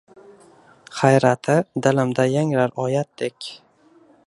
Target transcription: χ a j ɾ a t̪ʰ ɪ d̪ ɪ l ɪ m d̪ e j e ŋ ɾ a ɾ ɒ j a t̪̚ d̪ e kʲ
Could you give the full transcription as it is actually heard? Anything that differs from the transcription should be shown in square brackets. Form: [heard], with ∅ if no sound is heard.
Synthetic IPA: χ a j ɾ a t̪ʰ ɪ d̪ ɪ l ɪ m d̪ [a] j [a] ŋ ɾ a ɾ ɒ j a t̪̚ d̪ e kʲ